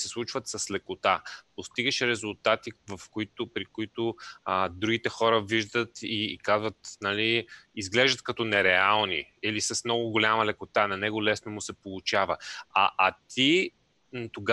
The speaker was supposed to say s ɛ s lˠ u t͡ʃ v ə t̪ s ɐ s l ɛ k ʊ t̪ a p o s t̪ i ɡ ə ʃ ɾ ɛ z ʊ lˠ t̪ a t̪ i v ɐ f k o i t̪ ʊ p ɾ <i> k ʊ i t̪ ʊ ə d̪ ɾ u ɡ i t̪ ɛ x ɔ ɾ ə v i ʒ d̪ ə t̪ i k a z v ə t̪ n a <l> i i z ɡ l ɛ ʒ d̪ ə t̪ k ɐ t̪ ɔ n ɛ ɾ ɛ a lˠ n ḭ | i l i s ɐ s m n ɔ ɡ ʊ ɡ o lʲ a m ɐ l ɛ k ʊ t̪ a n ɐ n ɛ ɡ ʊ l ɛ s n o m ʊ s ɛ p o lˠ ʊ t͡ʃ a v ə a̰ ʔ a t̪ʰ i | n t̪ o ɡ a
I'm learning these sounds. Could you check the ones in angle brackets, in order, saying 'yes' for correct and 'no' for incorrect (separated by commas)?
yes, yes